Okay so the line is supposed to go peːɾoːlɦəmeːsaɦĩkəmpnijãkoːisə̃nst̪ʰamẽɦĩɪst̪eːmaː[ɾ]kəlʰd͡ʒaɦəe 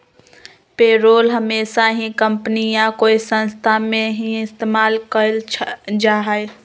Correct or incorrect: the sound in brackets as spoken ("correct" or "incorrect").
incorrect